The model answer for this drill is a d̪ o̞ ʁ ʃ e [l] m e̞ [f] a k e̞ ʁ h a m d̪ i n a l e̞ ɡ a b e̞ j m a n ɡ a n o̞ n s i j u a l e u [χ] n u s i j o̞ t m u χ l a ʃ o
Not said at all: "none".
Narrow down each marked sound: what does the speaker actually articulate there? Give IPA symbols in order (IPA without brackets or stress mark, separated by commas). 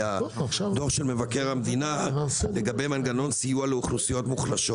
l, v, χ